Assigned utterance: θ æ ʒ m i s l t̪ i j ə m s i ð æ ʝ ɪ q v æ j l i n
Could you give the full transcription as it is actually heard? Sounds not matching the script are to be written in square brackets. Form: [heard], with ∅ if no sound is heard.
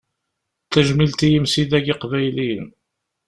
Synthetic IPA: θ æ ʒ m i [∅] l t̪ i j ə m s i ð æ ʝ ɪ q v æ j l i n